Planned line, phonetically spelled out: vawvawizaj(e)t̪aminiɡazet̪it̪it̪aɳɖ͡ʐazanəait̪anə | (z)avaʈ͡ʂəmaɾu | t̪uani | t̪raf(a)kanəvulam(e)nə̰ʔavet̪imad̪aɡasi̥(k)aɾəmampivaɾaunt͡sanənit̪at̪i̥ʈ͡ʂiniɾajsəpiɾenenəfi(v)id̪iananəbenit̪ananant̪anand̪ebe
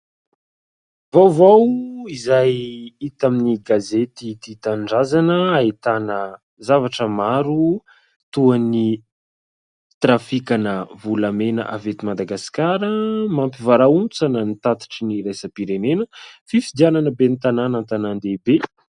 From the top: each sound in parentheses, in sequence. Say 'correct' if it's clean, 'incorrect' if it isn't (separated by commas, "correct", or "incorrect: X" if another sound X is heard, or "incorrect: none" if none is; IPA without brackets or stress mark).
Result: incorrect: i, correct, incorrect: i, correct, correct, incorrect: f